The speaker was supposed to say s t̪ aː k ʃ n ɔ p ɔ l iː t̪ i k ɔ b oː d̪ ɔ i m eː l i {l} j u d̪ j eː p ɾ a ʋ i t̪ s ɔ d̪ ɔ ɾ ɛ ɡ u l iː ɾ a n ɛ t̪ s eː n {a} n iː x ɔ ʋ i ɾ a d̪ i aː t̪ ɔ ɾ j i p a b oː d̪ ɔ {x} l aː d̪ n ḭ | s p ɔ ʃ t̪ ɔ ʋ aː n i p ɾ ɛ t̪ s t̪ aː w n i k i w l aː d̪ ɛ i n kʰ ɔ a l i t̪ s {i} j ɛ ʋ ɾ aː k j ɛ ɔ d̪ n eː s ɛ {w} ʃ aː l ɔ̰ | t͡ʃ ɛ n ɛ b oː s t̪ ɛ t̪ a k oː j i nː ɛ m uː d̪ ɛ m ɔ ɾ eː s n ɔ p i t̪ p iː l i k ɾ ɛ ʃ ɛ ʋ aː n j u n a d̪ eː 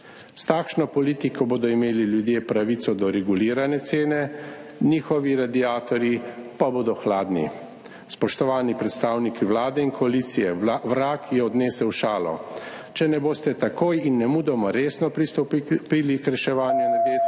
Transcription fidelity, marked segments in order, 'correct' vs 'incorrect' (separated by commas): correct, incorrect, correct, correct, correct